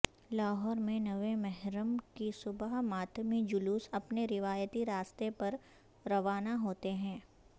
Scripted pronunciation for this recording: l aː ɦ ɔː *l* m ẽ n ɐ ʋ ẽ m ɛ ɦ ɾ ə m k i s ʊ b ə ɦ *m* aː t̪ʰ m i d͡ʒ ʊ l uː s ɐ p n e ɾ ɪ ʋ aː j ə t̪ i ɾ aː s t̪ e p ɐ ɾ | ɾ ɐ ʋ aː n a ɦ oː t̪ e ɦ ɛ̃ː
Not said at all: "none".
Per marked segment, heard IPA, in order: ɾ, m

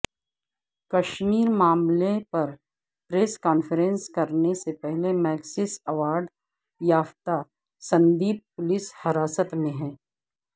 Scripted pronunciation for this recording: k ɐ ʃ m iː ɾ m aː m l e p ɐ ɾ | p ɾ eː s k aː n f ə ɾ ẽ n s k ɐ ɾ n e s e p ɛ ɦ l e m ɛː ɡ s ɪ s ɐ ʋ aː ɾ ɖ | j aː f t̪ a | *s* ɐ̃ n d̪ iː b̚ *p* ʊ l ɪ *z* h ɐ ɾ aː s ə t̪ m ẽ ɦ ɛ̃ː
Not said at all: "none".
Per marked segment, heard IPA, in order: s, p, s

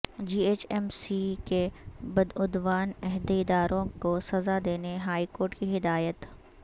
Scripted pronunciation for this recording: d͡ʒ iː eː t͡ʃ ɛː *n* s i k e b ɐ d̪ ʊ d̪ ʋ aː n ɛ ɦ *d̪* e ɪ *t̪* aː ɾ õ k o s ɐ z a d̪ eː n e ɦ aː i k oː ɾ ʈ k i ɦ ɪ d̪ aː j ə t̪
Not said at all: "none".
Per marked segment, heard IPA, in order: m, d̪, d̪

